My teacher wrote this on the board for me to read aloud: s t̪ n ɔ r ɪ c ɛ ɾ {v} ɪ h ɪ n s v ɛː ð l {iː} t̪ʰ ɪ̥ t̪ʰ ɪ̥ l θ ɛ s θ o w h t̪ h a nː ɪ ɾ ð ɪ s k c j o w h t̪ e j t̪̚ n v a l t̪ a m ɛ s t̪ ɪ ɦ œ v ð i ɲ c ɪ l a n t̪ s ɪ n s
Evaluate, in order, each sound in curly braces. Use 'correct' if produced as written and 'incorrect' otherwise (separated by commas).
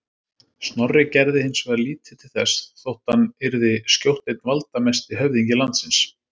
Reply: incorrect, correct